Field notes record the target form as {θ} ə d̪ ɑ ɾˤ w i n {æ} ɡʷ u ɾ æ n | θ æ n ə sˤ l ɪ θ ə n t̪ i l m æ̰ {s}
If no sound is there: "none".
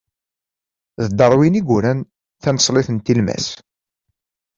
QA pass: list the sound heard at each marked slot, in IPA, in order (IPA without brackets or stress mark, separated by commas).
ð, i, s